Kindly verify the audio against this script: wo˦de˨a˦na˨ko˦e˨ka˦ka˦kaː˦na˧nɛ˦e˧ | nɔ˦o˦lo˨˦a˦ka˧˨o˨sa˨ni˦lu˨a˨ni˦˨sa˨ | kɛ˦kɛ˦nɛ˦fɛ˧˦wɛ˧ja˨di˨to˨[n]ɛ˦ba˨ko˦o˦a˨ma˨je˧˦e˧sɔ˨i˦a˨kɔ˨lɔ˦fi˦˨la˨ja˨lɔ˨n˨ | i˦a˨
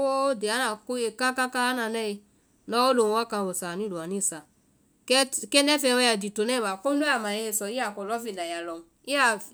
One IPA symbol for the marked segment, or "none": n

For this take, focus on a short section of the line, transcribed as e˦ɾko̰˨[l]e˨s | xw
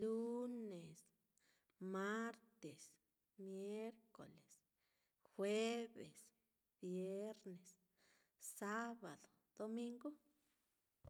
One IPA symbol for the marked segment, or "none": l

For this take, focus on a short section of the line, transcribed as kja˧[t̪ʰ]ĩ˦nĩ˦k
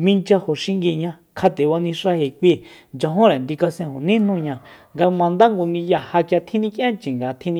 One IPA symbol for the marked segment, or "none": t̪ʰ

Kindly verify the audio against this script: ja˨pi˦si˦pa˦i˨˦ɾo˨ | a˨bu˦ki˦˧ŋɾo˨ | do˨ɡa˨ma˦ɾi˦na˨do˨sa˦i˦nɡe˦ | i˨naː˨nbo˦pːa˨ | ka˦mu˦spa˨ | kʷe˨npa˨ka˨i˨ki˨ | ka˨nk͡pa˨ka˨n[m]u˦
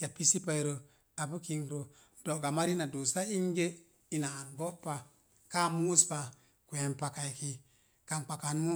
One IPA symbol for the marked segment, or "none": m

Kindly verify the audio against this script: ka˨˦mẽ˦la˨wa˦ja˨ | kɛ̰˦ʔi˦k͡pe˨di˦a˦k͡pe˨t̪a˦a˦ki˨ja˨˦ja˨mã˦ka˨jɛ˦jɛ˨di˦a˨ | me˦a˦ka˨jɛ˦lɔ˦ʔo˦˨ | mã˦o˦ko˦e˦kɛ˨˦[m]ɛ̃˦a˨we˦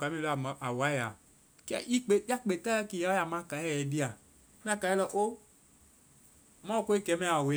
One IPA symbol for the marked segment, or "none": m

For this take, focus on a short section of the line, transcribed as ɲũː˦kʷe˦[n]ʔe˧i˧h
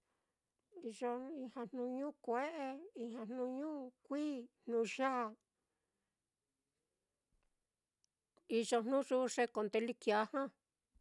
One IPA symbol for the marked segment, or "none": none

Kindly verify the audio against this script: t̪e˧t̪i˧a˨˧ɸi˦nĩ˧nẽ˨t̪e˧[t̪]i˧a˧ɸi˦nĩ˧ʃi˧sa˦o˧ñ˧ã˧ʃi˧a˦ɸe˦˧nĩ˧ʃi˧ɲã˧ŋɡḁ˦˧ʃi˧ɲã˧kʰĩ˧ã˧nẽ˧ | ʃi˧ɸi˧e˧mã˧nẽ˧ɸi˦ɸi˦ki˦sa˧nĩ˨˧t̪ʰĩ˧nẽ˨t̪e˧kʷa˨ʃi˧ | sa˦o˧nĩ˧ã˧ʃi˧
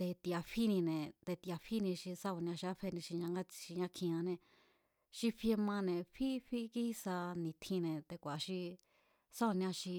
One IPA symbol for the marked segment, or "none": t̪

